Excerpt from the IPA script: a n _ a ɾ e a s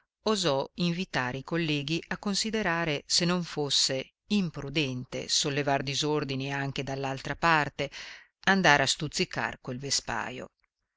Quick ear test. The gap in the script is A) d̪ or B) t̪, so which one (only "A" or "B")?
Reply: A